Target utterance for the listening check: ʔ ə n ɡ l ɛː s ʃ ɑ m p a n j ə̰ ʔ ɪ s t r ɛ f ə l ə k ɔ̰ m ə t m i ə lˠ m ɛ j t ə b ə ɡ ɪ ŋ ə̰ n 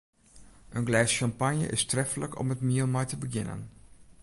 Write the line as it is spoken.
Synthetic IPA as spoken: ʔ ə n ɡ l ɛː s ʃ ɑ m p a n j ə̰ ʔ ɪ s t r ɛ f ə l ə k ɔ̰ m ə t m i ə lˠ m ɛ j t ə b ə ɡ ɪ n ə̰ n

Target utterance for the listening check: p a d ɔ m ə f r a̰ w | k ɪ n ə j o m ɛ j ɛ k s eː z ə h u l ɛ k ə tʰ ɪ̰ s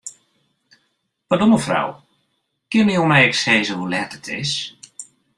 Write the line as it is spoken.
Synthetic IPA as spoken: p a d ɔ m ə f r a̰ w | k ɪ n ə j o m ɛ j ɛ k s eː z ə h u l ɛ t ə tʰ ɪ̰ s

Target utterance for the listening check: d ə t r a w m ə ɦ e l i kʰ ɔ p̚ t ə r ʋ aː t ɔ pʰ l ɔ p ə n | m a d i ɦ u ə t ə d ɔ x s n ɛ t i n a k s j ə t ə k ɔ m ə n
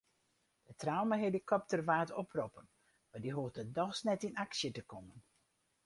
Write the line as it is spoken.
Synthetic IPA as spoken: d ə t r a w m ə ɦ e l i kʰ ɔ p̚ t ə r ʋ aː t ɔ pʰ r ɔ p ə n | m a d i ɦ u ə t ə d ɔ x s n ɛ t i n a k s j ə t ə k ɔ m ə n

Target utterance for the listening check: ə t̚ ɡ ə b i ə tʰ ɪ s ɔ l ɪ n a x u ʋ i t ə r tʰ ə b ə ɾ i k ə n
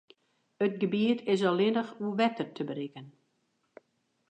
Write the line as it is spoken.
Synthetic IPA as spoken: ə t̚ ɡ ə b i ə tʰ ɪ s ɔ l ɪ n ə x u ʋ ɛ t ə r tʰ ə b ə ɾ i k ə n

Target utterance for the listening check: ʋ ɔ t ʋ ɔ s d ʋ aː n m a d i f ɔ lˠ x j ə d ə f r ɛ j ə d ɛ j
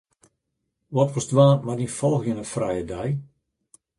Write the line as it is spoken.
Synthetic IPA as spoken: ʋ ɔ t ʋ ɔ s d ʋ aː n m a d i f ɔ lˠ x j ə n ə f r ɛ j ə d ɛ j

